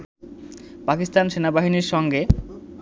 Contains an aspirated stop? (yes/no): no